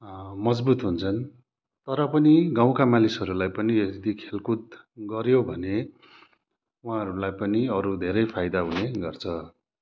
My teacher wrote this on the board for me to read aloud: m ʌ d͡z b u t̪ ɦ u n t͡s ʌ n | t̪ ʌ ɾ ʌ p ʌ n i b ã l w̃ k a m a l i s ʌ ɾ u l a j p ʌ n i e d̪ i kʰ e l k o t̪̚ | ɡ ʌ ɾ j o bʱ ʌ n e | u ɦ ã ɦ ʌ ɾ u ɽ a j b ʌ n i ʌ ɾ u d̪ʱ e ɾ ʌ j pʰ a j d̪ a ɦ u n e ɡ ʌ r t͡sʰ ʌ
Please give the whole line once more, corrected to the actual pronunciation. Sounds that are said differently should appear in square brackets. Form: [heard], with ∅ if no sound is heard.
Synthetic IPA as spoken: m ʌ d͡z b u t̪ ɦ u n [t͡sʰ] ʌ n | t̪ ʌ ɾ ʌ p ʌ n i [ɡ] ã [∅] w̃ k a m a l i s ʌ ɾ u l a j p ʌ n i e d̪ i kʰ e l k [u] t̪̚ | ɡ ʌ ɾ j o bʱ ʌ n e | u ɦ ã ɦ ʌ ɾ u [l] a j [p] ʌ n i ʌ ɾ u d̪ʱ e ɾ ʌ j pʰ a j d̪ a ɦ u n e ɡ ʌ r t͡sʰ ʌ